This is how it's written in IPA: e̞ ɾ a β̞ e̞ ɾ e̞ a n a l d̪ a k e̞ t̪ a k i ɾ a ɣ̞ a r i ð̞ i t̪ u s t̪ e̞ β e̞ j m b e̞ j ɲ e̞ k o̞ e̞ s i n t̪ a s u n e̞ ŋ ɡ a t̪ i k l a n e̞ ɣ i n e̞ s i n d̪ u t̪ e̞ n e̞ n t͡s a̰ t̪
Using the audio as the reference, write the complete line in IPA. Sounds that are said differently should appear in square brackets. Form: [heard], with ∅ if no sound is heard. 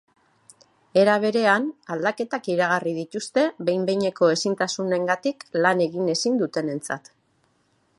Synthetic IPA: e̞ ɾ a β̞ e̞ ɾ e̞ a n a l d̪ a k e̞ t̪ a k i ɾ a ɣ̞ a r i ð̞ i t̪ u s t̪ e̞ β e̞ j m b e̞ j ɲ e̞ k o̞ e̞ s i n t̪ a s u n e̞ ŋ ɡ a t̪ i k l a n e̞ ɣ i n e̞ s i n d̪ u t̪ e̞ n e̞ n t͡s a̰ t̪

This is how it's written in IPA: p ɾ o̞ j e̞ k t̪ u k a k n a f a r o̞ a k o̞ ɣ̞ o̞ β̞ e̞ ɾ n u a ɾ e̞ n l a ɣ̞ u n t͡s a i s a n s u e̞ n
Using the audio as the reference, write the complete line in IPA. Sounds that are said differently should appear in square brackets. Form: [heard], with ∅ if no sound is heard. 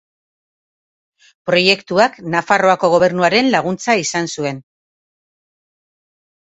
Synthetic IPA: p ɾ o̞ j e̞ k t̪ u [∅] a k n a f a r o̞ a k o̞ ɣ̞ o̞ β̞ e̞ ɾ n u a ɾ e̞ n l a ɣ̞ u n t͡s a i s a n s u e̞ n

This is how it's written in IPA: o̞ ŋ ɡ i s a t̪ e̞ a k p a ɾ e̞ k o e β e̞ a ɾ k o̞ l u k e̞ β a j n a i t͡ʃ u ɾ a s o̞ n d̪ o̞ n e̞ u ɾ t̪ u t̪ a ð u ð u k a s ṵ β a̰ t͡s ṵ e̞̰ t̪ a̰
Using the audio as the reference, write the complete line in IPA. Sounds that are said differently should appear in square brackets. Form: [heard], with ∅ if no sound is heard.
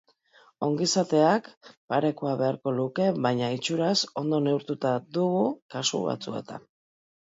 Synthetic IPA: o̞ ŋ ɡ i s a t̪ e̞ a k p a ɾ e̞ k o [a] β e̞ a ɾ k o̞ l u k e̞ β a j [ɲ] a i t͡ʃ u ɾ a s o̞ n d̪ o̞ n e̞ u ɾ t̪ u t̪ a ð u [ɣ] u k a s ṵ β a̰ t͡s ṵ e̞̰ t̪ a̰

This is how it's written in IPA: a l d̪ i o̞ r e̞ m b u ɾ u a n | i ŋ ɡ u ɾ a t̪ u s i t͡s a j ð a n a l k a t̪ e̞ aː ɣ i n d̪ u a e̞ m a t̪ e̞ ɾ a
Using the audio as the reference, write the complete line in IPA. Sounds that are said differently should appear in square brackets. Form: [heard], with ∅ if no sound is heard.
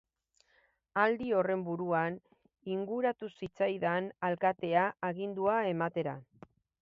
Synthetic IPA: a l d̪ i o̞ r e̞ m b u ɾ u a n | i ŋ ɡ u ɾ a t̪ u s i t͡s a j ð a n a l k a t̪ e̞ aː ɣ i n d̪ u a e̞ m a t̪ e̞ ɾ a

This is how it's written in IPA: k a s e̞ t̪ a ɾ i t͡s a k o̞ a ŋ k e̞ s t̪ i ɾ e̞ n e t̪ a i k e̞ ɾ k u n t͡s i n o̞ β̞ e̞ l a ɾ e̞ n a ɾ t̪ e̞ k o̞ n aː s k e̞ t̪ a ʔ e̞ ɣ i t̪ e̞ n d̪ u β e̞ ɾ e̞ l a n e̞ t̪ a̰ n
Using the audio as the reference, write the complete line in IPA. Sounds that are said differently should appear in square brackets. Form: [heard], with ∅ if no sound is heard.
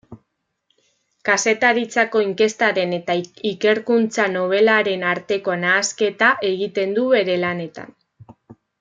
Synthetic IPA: k a s e̞ t̪ a ɾ i t͡s a k o̞ [i] ŋ k e̞ s t̪ [a] ɾ e̞ n e t̪ a i k e̞ ɾ k u n t͡s [a] n o̞ β̞ e̞ l a ɾ e̞ n a ɾ t̪ e̞ k o̞ n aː s k e̞ t̪ a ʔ e̞ ɣ i t̪ e̞ n d̪ u β e̞ ɾ e̞ l a n e̞ t̪ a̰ n

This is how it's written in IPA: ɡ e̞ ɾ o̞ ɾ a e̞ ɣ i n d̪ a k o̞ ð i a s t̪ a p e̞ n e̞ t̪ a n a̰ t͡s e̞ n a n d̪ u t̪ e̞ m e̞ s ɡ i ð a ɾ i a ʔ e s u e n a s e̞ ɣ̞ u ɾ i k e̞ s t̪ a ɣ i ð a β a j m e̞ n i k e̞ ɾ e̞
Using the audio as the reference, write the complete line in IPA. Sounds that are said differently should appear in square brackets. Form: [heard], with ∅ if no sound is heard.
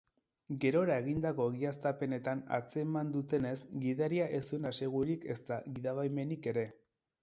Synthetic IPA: ɡ e̞ ɾ o̞ ɾ a e̞ ɣ i n d̪ a k o̞ [ɣ] i a s t̪ a p e̞ n e̞ t̪ a n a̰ t͡s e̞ [m] a n d̪ u t̪ e̞ [n] e̞ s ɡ i ð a ɾ i a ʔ e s u e n a s e̞ ɣ̞ u ɾ i k e̞ s t̪ a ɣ i ð a β a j m e̞ n i k e̞ ɾ e̞

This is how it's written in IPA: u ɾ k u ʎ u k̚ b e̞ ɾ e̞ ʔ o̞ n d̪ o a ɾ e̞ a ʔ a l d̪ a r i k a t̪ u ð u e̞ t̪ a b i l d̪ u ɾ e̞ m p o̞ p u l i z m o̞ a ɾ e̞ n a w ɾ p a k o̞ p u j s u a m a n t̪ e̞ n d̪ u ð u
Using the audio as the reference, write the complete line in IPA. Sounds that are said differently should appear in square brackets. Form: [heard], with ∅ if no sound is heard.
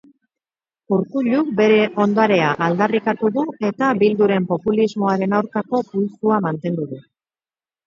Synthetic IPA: u ɾ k u ʎ u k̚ b e̞ ɾ e̞ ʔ o̞ n d̪ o a ɾ e̞ a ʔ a l d̪ a r i k a t̪ u ð u e̞ t̪ a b i l d̪ u ɾ e̞ m p o̞ p u l i z m o̞ a ɾ e̞ n a w ɾ [k] a k o̞ p u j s u a m a n t̪ e̞ n d̪ u ð u

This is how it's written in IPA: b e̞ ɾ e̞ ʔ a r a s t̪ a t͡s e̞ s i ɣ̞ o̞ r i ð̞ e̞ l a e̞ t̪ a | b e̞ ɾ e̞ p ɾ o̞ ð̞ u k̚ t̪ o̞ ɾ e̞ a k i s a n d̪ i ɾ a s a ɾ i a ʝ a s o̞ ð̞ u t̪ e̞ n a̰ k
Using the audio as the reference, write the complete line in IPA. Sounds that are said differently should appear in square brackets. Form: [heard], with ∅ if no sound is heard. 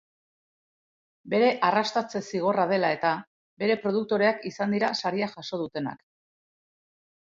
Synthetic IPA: b e̞ ɾ e̞ ʔ a r a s t̪ a t͡s e̞ s i ɣ̞ o̞ r [a] ð̞ e̞ l a e̞ t̪ a | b e̞ ɾ e̞ p ɾ o̞ ð̞ u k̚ t̪ o̞ ɾ e̞ a k i s a n d̪ i ɾ a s a ɾ i a ʝ a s o̞ ð̞ u t̪ e̞ n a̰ k

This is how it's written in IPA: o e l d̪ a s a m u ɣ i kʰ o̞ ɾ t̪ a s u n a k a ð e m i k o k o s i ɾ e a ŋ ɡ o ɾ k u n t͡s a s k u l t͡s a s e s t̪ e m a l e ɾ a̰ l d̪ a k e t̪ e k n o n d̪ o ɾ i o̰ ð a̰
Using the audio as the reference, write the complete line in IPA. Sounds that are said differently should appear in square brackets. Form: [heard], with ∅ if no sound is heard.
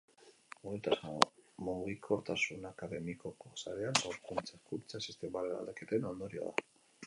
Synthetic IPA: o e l [t̪] a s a m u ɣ i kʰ o̞ ɾ t̪ a s u n a k a ð e m i k o k o s [a] ɾ e a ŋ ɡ o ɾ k u n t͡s a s k u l t͡s a s [i] s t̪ e m a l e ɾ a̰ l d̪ a k e t̪ e [∅] n o n d̪ o ɾ i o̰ ð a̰

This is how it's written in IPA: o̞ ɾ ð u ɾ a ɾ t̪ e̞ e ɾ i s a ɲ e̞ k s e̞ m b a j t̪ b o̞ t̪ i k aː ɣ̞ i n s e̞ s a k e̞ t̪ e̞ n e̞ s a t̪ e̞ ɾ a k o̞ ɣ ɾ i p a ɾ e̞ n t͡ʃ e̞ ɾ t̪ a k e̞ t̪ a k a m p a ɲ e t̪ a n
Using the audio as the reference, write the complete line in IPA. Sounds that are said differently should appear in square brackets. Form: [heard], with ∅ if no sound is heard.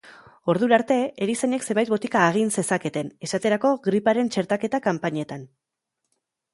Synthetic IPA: o̞ ɾ ð u ɾ a ɾ t̪ e̞ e ɾ i s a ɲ e̞ k s e̞ m b a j t̪ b o̞ t̪ i k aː ɣ̞ i n s e̞ s a k e̞ t̪ e̞ n e̞ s a t̪ e̞ ɾ a k o̞ ɣ ɾ i p a ɾ e̞ n t͡ʃ e̞ ɾ t̪ a k e̞ t̪ a k a m p a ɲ e t̪ a n

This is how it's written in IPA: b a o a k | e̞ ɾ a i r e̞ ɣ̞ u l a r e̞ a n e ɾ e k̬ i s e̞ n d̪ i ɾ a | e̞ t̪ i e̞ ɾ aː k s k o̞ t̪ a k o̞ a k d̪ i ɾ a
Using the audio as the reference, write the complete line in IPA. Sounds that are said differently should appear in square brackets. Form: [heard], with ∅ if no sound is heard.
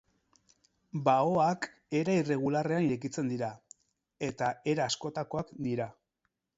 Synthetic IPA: b a o a k | e̞ ɾ a i r e̞ ɣ̞ u l a r e̞ a n [i] ɾ e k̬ i [t͡s] e̞ n d̪ i ɾ a | e̞ t̪ [a] e̞ ɾ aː [∅] s k o̞ t̪ a k o̞ a k d̪ i ɾ a

